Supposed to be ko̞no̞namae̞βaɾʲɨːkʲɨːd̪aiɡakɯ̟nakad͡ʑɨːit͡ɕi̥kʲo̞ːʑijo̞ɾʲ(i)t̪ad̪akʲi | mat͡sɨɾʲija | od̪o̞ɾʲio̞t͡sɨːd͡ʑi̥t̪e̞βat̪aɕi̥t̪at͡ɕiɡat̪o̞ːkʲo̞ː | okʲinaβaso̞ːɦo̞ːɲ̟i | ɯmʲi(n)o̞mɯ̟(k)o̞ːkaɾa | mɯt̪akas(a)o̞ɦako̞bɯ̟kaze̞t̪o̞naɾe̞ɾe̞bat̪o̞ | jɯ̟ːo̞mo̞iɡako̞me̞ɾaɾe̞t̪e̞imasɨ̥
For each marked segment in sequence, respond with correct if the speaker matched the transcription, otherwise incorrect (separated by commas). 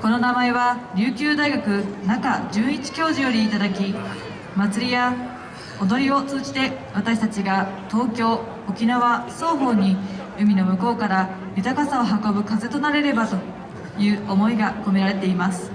incorrect, correct, correct, correct